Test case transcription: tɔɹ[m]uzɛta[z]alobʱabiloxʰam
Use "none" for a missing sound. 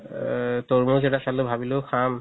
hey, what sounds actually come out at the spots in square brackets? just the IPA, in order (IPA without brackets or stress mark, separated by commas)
m, s